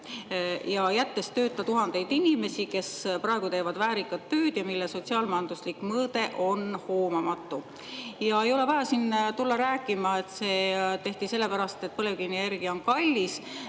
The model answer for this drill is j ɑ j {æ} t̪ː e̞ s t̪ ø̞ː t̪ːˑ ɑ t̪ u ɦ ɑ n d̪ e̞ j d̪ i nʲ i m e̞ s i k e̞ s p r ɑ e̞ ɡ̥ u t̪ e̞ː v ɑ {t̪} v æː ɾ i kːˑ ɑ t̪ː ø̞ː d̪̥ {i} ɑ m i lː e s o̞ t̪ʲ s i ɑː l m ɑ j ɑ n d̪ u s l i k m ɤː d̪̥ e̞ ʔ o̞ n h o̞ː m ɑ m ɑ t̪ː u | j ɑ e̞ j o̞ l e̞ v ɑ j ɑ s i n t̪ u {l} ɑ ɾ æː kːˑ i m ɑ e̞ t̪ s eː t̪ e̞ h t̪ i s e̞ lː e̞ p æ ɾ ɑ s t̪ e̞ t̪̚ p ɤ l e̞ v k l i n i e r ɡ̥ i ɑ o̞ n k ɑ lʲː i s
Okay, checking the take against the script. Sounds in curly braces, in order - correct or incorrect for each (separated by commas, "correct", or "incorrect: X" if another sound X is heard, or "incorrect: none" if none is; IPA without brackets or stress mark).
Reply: correct, incorrect: d̪, incorrect: j, incorrect: lː